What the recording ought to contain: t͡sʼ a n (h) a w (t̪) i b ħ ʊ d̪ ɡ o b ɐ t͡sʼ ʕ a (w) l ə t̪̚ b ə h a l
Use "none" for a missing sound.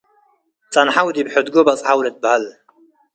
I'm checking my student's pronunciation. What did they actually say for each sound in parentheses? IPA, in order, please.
ħ, d̪, w

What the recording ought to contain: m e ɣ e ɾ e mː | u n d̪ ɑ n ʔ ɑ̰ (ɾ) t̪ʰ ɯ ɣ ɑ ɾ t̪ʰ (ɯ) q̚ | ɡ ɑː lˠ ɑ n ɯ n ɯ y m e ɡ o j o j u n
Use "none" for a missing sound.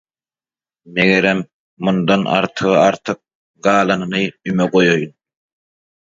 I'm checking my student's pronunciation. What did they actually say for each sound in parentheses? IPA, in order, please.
ɾ, ɯ

